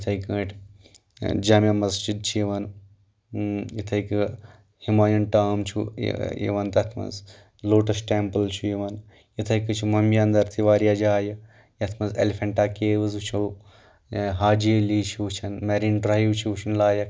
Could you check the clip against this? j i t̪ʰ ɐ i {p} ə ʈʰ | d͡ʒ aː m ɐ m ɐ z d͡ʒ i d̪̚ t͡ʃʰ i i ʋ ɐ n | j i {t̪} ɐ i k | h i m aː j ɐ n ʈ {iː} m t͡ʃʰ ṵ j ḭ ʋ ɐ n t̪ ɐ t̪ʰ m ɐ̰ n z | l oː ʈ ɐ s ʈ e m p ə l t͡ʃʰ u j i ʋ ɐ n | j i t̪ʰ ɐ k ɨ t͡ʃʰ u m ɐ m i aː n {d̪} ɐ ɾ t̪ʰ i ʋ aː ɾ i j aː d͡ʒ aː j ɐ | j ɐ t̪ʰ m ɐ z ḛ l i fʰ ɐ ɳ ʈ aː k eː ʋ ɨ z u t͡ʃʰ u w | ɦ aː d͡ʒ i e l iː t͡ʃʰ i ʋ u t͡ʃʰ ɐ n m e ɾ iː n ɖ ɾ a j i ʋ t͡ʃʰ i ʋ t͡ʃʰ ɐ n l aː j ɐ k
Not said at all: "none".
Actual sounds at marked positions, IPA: k, t̪ʰ, aː, d̪

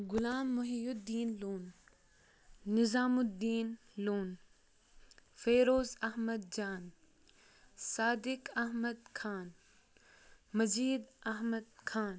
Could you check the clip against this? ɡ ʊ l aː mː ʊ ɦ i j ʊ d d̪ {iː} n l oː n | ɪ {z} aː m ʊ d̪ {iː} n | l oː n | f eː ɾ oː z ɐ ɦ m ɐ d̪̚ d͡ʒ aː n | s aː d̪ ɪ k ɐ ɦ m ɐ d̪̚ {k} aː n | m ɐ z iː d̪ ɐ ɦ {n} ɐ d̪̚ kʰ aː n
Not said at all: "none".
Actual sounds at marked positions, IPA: iː, z, iː, kʰ, m

